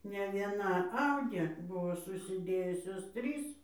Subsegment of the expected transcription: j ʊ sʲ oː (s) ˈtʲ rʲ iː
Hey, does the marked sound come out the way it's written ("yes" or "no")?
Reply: yes